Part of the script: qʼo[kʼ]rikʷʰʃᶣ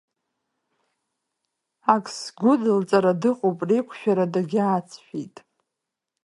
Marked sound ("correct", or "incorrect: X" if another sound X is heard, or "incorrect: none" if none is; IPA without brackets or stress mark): incorrect: pʼ